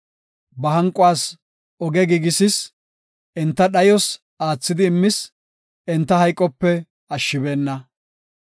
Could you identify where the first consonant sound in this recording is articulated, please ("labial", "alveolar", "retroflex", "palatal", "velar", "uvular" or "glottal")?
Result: labial